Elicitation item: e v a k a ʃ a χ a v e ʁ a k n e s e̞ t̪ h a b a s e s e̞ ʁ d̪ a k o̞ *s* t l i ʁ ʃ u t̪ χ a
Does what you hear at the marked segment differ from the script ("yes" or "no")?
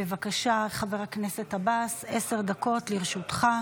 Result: yes